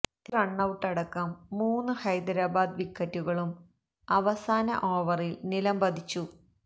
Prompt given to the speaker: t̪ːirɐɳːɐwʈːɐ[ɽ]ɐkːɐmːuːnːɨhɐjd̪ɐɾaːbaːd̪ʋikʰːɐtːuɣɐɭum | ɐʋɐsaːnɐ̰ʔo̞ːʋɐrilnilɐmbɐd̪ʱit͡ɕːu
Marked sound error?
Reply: no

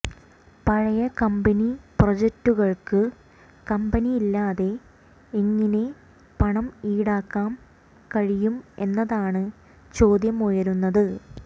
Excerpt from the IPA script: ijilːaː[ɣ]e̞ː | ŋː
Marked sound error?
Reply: yes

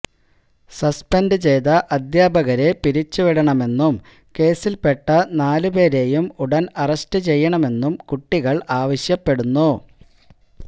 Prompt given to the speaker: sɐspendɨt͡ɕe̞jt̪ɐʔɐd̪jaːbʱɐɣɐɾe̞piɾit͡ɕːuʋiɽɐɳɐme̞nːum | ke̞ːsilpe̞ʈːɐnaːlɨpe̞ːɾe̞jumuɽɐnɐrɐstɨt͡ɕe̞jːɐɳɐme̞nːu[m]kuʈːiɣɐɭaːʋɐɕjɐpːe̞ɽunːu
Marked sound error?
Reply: no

